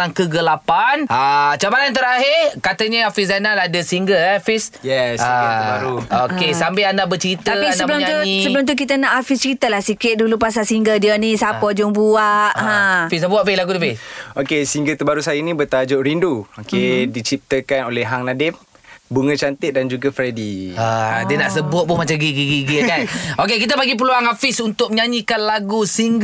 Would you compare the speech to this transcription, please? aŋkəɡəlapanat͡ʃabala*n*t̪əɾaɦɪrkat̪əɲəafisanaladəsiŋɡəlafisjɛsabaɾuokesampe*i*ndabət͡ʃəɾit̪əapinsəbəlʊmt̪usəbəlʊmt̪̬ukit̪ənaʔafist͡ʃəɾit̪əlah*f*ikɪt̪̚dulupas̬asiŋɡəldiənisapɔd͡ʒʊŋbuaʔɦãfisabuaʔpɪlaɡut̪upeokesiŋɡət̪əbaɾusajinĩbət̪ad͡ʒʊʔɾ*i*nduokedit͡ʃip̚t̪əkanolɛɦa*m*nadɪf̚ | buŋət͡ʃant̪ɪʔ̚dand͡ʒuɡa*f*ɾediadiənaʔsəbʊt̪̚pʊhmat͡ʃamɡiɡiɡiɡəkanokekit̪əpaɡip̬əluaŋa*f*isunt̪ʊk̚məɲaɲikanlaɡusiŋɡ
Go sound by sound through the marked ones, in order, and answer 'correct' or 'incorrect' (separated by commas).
correct, incorrect, incorrect, correct, incorrect, correct, correct